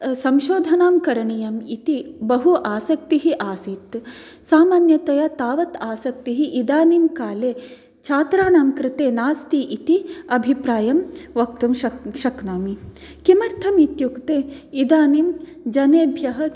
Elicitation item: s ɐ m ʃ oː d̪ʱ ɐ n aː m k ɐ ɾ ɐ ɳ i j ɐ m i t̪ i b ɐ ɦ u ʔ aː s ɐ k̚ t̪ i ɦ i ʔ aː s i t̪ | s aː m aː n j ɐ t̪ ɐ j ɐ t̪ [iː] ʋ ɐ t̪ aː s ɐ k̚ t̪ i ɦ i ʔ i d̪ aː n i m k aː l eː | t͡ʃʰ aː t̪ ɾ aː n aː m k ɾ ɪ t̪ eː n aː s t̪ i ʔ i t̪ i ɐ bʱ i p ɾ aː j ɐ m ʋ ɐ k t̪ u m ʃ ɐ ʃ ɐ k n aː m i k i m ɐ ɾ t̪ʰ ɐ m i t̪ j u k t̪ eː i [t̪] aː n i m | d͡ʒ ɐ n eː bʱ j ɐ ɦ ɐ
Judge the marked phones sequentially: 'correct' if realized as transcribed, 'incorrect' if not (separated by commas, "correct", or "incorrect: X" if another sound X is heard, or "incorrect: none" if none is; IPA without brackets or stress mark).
incorrect: aː, incorrect: d̪